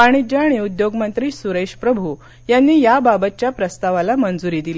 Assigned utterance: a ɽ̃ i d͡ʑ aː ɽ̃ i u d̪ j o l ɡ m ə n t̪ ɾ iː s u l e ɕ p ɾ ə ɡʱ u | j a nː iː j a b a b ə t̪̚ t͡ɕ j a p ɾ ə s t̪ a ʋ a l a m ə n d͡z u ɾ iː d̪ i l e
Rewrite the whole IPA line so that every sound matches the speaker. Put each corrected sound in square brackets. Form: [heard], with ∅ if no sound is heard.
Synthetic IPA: a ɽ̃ i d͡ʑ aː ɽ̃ i u d̪ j o [∅] ɡ m ə n t̪ ɾ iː s u [ɾ] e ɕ p ɾ ə [bʱ] u | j a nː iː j a b a b ə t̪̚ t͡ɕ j a p ɾ ə s t̪ a ʋ a l a m ə n d͡z u ɾ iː d̪ i l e